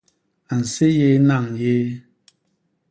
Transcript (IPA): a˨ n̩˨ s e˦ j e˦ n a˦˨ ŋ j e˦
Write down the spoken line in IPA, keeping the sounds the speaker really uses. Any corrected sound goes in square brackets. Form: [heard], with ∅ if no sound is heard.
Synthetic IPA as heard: a˨ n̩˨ s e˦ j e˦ n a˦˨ ŋ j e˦